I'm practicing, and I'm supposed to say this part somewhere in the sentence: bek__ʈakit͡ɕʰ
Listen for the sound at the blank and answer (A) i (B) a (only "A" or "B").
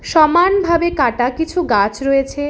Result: B